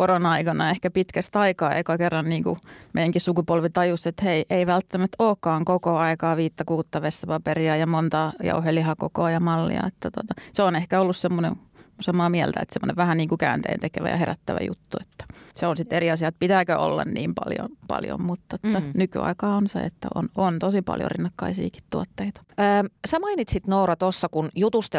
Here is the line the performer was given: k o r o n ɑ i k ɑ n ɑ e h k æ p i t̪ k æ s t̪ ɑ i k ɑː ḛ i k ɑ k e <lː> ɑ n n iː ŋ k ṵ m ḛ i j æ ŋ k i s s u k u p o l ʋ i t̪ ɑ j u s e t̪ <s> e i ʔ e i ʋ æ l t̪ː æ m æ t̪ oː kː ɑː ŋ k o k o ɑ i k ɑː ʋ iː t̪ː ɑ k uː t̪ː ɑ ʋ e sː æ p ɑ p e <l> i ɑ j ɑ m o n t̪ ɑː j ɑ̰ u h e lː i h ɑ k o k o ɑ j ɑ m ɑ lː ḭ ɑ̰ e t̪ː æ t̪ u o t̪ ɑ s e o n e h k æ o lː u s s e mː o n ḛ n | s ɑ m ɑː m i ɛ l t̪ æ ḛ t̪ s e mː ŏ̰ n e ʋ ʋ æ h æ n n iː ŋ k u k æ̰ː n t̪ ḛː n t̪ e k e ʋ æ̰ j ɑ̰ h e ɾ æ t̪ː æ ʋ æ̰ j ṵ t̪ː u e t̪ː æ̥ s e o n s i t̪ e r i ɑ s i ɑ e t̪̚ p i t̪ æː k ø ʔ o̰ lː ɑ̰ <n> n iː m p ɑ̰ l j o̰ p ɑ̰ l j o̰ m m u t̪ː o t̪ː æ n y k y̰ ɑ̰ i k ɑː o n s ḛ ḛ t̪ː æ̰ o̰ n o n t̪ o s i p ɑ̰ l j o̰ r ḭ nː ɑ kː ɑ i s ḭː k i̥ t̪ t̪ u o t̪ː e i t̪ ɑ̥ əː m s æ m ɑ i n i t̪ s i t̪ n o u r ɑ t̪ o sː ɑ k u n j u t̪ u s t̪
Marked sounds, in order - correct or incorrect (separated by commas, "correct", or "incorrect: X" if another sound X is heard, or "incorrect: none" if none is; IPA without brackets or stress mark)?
incorrect: rː, incorrect: h, incorrect: r, correct